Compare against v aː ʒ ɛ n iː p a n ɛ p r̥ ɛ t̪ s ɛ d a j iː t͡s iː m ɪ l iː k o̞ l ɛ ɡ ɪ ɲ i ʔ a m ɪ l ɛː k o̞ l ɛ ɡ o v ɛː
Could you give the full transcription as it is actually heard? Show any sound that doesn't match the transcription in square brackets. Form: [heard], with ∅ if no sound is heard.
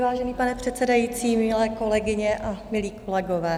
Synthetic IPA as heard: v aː ʒ ɛ n iː p a n ɛ p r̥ ɛ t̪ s ɛ d a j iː t͡s iː m ɪ l [ɛː] k o̞ l ɛ ɡ ɪ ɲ [ɛ] ʔ a m ɪ l [iː] k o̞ l ɛ ɡ o v ɛː